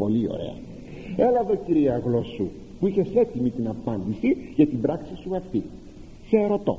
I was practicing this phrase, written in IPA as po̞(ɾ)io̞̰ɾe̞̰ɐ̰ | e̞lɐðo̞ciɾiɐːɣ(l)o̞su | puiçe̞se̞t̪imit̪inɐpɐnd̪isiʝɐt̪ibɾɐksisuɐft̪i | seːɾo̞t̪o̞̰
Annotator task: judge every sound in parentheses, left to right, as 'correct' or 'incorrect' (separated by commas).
incorrect, correct